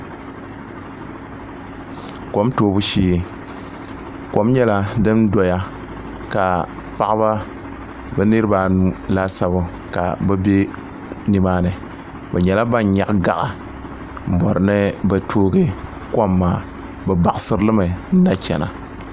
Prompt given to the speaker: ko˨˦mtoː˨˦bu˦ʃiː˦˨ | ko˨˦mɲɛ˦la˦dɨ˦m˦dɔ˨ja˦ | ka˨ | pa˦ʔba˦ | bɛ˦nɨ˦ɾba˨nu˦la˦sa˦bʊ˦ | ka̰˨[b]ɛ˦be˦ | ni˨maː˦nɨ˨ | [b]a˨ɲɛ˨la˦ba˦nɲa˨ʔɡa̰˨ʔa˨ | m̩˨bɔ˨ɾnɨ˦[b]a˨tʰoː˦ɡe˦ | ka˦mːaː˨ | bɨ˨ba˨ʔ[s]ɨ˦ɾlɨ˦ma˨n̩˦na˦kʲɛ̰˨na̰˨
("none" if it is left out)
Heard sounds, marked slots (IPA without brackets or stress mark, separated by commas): b, b, b, s